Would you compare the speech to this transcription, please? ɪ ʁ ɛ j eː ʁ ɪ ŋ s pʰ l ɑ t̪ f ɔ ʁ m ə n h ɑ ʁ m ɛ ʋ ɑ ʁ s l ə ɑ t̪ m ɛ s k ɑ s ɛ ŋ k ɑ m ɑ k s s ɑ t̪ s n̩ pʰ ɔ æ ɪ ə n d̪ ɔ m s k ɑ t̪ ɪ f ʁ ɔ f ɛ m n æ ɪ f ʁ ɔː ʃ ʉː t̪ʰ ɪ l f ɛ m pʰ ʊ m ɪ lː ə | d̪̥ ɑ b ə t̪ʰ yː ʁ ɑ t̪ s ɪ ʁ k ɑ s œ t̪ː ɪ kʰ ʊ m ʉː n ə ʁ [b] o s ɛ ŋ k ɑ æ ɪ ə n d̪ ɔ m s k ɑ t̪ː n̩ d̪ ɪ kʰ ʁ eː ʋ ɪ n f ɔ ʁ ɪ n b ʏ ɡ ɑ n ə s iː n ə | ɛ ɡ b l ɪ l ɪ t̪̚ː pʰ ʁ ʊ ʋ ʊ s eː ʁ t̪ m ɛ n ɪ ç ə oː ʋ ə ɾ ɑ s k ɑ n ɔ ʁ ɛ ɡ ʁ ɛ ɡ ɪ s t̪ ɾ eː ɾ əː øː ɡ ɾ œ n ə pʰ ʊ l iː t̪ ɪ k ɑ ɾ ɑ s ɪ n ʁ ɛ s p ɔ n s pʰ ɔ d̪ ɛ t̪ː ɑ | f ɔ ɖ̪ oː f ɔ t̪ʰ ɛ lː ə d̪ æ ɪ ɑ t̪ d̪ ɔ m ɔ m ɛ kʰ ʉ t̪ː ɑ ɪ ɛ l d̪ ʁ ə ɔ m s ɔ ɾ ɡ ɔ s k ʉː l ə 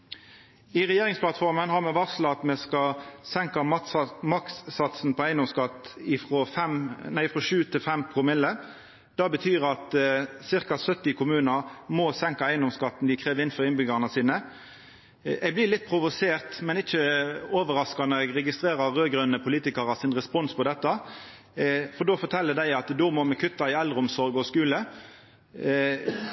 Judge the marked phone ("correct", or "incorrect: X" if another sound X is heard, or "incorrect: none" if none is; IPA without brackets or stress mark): incorrect: m